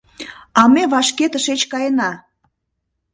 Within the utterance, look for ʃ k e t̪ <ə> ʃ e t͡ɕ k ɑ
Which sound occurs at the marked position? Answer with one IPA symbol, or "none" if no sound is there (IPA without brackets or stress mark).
ə